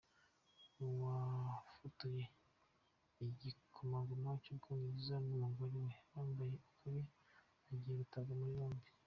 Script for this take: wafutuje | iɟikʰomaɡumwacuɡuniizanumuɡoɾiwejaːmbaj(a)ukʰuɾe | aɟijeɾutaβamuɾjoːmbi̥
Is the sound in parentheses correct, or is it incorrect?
incorrect